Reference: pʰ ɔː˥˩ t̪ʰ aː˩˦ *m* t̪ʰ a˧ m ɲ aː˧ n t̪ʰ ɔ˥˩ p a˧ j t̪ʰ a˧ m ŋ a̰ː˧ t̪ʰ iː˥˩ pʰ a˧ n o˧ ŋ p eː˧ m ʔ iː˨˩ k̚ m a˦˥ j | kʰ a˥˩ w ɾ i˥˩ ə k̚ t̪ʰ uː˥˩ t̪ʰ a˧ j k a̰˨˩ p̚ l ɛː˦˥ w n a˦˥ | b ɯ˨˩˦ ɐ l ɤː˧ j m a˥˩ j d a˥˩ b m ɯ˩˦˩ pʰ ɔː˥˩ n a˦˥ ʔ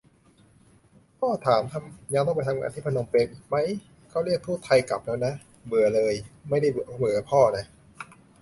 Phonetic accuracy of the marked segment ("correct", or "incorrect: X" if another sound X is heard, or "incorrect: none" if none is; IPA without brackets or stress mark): correct